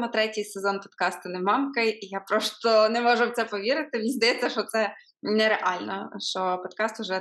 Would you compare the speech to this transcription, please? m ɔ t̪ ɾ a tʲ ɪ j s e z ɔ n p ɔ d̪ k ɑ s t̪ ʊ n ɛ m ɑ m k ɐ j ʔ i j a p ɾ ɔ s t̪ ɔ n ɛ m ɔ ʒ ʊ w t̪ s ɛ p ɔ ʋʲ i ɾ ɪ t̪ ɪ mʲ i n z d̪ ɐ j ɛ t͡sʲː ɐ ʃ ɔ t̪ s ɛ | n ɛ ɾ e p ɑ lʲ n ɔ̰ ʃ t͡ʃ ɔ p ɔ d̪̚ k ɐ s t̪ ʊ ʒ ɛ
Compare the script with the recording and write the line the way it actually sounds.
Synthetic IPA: m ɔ t̪ ɾ ɛ tʲ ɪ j s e z ɔ n p ɔ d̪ k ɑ s t̪ ʊ n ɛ m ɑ m k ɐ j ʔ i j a p ɾ ɔ s t̪ ɔ n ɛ m ɔ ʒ ʊ w t̪ s ɛ p ɔ ʋʲ i ɾ ɪ t̪ ɪ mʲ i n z d̪ ɐ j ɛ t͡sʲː ɐ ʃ ɔ t̪ s ɛ | n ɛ ɾ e ʔ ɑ lʲ n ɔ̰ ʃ t͡ʃ ɔ p ɔ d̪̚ k ɑ s t̪ ʊ ʒ ɛ